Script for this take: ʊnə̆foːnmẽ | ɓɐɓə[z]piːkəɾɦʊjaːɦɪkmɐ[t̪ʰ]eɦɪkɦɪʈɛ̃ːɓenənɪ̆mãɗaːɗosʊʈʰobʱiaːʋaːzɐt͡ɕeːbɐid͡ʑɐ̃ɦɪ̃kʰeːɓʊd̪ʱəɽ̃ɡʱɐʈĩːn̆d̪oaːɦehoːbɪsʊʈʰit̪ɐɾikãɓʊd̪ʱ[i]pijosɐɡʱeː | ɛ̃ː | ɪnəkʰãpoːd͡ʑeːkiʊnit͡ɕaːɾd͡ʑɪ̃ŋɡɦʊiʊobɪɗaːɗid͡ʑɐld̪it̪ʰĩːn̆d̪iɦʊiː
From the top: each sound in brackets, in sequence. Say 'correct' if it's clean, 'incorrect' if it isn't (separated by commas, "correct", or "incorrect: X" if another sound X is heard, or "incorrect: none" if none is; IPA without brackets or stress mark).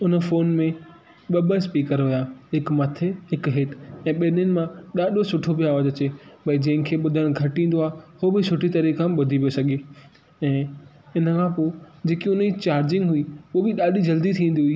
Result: incorrect: s, correct, correct